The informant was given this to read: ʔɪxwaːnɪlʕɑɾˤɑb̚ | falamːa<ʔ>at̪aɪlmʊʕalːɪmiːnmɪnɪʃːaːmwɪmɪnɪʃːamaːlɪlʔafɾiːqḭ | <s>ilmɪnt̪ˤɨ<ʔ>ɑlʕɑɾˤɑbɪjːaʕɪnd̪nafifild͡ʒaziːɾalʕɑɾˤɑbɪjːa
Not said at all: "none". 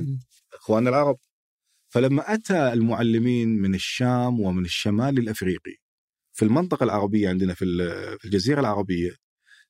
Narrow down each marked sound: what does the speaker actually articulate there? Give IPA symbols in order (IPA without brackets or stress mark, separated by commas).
ʔ, f, q